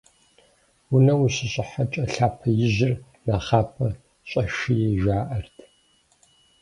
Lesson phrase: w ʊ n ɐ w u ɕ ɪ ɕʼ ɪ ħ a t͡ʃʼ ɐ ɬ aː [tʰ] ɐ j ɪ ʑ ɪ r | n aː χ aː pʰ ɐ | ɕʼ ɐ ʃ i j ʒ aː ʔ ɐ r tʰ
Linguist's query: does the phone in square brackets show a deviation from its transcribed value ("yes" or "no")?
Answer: yes